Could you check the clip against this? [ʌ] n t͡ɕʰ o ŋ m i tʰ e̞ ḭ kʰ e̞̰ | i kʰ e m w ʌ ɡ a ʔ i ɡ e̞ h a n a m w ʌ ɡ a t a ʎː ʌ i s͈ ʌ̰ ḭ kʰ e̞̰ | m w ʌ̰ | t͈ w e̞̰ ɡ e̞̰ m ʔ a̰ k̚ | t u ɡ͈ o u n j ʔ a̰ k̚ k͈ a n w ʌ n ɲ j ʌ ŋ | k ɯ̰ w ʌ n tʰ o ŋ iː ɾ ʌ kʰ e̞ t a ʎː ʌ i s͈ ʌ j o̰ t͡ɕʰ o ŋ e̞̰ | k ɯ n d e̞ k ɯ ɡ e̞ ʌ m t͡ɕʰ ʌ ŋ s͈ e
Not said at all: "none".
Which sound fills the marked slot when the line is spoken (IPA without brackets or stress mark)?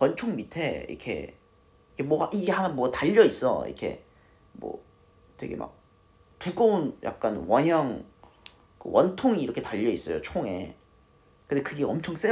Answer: ʌ